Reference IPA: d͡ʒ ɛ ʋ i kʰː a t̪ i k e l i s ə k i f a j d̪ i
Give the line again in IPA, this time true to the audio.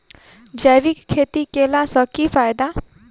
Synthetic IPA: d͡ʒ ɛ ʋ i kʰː e t̪ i k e l a s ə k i f a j d̪ a